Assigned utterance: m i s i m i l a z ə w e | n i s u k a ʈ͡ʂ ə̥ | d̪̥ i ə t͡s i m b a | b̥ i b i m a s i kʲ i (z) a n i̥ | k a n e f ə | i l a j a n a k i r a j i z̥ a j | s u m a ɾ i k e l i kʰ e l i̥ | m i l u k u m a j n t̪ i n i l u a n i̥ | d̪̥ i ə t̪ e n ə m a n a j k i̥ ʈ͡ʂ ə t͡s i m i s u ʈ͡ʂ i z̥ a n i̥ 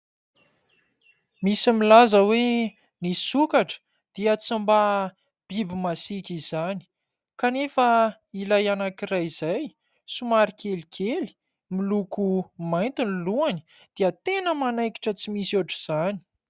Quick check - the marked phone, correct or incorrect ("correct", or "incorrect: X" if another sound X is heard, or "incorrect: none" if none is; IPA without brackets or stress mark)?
correct